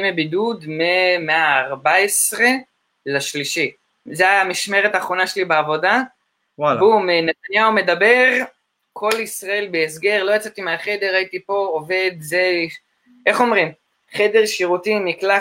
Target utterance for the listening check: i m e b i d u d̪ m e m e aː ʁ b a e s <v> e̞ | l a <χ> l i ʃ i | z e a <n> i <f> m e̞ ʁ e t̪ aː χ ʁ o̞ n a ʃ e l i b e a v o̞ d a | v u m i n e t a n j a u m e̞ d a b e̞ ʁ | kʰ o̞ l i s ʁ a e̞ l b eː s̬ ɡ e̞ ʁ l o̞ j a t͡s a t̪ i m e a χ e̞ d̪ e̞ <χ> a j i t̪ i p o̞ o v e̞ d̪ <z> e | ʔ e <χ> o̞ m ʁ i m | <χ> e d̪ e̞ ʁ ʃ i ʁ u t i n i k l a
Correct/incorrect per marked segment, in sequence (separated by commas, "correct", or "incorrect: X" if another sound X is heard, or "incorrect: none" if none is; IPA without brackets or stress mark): incorrect: ʁ, incorrect: ʃ, incorrect: m, incorrect: ʃ, incorrect: ʁ, correct, correct, correct